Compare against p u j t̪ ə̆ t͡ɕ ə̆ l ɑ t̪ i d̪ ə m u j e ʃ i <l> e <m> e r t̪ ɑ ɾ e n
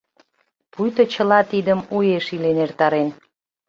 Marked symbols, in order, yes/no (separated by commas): yes, no